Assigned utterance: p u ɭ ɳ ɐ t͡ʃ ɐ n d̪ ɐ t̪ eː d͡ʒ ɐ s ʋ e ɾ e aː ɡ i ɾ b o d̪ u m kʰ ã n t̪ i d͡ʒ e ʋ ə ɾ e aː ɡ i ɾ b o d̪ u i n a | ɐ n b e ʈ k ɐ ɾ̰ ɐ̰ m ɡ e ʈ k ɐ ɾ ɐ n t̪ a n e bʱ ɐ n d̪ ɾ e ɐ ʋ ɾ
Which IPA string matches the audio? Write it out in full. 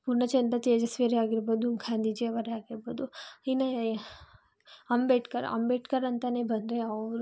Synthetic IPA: p u ɾ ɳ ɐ t͡ʃ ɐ n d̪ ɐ t̪ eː d͡ʒ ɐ s ʋ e ɾ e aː ɡ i ɾ b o d̪ u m kʰ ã n d̪ i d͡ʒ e ʋ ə ɾ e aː ɡ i ɾ b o d̪ u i n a | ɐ m b e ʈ k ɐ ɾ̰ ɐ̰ m b e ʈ k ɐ ɾ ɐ n t̪ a n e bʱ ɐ n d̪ ɾ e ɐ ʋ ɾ